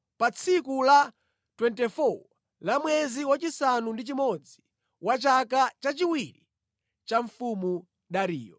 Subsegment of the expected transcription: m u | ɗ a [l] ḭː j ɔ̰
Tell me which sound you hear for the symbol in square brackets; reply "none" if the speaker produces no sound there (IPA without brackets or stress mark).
ɾ